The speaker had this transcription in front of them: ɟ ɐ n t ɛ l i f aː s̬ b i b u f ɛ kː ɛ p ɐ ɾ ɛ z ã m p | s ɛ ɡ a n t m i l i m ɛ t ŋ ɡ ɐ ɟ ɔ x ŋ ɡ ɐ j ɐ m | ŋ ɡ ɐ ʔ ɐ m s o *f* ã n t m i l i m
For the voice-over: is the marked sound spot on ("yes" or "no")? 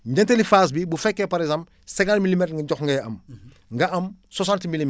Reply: no